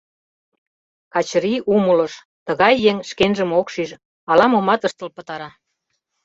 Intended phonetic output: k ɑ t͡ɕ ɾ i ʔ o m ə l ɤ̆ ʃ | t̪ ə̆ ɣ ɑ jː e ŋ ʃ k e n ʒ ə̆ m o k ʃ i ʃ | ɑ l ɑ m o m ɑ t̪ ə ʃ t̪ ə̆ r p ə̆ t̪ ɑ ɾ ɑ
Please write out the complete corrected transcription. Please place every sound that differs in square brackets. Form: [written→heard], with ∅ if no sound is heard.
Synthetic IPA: k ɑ t͡ɕ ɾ i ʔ [o→u] m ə l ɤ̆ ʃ | t̪ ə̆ ɣ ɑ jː e ŋ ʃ k e n ʒ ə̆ m o k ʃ i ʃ | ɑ l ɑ m o m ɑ t̪ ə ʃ t̪ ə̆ [r→l] p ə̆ t̪ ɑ ɾ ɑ